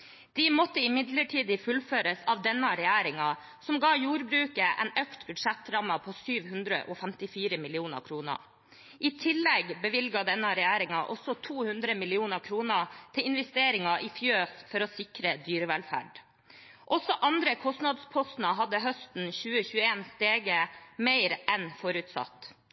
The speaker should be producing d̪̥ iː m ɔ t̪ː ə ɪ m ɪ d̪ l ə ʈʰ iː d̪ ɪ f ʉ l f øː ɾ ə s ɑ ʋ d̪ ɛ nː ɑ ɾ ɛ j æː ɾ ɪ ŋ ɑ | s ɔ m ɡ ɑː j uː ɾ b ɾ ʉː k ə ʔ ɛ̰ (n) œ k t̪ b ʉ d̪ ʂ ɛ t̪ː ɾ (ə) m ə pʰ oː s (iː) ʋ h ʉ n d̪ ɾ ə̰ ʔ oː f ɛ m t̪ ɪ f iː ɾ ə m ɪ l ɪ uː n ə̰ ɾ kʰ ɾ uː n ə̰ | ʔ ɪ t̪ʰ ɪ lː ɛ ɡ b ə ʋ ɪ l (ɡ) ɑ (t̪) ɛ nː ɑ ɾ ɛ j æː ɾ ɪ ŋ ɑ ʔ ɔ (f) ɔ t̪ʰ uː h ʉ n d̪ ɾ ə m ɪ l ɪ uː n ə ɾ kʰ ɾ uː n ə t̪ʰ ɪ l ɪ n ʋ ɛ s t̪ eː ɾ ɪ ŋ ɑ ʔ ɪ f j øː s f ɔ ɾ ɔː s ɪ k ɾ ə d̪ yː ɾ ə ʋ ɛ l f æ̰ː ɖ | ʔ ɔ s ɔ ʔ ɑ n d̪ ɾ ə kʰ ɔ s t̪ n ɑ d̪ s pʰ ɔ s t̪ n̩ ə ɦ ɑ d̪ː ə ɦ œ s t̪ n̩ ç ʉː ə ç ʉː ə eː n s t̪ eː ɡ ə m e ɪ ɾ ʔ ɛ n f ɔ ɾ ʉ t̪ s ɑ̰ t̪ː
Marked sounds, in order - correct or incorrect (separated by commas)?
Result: correct, incorrect, incorrect, correct, incorrect, incorrect